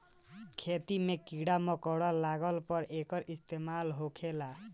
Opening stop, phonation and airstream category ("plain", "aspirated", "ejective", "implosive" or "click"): aspirated